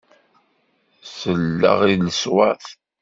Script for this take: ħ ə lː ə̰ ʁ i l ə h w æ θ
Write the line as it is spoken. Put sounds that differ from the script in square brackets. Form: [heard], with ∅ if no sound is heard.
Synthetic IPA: [s] ə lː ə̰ ʁ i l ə [s] w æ θ